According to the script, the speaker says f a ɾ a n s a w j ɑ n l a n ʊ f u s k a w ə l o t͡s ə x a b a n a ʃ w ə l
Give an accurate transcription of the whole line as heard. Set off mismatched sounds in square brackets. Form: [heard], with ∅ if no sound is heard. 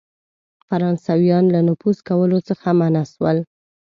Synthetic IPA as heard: f a ɾ [ɑ] n s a w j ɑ n l a n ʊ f u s k a w ə l o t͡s ə x a [m] a n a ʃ w ə l